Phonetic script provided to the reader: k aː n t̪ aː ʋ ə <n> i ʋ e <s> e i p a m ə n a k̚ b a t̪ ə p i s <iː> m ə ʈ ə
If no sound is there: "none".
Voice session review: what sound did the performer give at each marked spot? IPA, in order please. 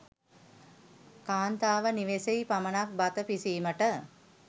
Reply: n, s, iː

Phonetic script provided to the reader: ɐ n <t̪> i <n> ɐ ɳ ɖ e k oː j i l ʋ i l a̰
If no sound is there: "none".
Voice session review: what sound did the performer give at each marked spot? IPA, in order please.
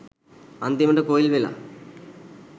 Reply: d̪, m

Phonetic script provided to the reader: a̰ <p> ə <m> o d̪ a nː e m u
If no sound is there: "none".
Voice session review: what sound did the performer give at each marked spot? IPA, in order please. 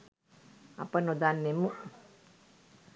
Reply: p, n

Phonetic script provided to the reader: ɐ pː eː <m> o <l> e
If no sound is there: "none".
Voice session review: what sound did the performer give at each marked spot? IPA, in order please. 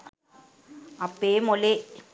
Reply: m, l

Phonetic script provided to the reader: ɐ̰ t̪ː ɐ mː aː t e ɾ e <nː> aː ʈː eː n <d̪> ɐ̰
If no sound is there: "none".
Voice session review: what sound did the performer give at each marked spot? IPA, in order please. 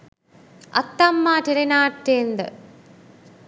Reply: n, d̪

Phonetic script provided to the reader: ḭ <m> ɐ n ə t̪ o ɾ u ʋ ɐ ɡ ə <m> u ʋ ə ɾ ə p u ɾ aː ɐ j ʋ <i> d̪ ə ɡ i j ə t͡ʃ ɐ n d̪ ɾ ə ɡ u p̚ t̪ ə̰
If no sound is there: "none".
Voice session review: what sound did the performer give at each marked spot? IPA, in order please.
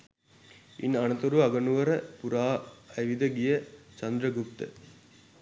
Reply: n, n, i

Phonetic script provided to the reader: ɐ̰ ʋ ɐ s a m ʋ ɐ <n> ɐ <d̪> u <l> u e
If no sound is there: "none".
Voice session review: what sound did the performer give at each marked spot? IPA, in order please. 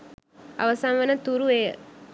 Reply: n, t̪, ɾ

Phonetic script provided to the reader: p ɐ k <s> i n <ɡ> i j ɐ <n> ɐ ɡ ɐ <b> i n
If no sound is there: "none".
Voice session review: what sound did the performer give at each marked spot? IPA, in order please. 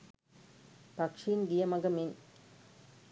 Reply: ʂ, ɡ, m, m

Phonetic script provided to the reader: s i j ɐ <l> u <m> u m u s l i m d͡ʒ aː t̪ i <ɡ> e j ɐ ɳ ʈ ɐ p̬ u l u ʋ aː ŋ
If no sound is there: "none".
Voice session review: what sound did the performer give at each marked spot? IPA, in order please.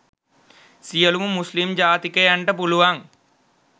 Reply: l, m, k

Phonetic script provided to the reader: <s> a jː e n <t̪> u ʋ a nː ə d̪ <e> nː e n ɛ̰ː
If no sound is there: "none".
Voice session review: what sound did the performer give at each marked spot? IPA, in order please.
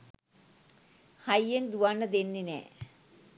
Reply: h, d̪, e

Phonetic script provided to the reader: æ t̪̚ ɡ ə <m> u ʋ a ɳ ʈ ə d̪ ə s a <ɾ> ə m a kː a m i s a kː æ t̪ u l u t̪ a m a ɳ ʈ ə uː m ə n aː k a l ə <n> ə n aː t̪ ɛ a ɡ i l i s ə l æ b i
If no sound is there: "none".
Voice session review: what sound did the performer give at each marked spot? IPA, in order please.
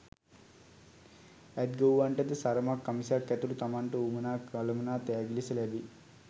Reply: none, ɾ, m

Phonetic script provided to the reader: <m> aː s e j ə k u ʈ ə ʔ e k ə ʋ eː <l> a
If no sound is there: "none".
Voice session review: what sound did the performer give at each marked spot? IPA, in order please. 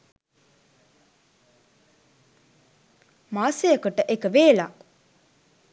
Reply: m, l

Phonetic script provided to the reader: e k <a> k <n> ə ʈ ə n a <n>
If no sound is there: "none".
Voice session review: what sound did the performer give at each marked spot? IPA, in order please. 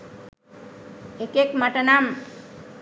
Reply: e, m, m

